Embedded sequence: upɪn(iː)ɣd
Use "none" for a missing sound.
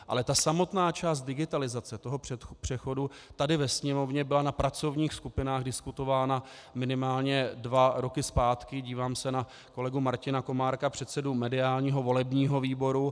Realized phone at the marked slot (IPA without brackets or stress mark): aː